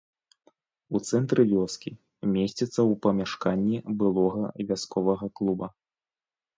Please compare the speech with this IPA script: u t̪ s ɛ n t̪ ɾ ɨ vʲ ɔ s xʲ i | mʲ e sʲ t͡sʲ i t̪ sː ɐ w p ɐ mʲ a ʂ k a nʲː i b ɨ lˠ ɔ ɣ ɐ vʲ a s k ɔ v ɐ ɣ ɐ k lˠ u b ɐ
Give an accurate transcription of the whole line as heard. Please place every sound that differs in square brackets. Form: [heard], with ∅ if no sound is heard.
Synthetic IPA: u t̪ s ɛ n t̪ ɾ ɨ vʲ ɔ s [kʲ] i | mʲ e sʲ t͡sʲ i t̪ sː ɐ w p ɐ mʲ a ʂ k a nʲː i b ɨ lˠ ɔ ɣ ɐ vʲ a s k ɔ v ɐ ɣ ɐ k lˠ u b ɐ